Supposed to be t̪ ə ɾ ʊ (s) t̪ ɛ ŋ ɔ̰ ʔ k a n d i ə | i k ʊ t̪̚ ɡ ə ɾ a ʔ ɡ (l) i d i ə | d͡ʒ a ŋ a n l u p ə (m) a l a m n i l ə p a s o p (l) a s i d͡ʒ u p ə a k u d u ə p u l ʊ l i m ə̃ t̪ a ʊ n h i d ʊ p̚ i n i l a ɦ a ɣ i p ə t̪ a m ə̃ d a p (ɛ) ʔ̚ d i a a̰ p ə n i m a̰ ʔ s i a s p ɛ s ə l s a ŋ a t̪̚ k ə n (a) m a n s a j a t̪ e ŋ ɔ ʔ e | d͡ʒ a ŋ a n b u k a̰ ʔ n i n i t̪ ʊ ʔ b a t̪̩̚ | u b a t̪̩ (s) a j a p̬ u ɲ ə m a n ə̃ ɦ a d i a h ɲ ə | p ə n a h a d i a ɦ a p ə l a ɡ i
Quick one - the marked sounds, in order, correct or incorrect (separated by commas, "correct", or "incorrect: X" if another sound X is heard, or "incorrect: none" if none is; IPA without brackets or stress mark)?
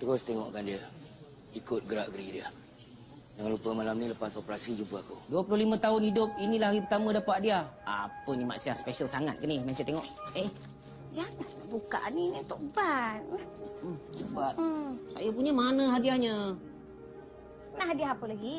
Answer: correct, incorrect: ɾ, correct, incorrect: ɾ, incorrect: a, incorrect: i, correct